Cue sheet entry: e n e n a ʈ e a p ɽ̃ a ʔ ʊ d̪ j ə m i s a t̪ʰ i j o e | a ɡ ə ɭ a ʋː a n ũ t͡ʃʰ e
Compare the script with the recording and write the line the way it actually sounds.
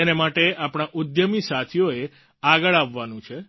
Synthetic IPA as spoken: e n e m a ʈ e a p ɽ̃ a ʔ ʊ d̪ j ə m i s a t̪ʰ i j o e | a ɡ ə ɭ a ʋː a n ũ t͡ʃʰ e